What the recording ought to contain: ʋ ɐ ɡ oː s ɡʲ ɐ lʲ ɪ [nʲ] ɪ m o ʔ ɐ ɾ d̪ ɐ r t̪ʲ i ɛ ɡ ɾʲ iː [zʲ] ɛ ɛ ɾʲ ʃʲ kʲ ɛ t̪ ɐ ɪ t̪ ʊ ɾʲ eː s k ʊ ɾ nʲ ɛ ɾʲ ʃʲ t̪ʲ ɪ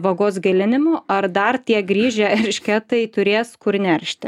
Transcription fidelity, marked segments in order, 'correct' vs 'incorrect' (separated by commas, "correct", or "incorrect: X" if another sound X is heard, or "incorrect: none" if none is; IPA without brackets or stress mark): correct, incorrect: ʒʲ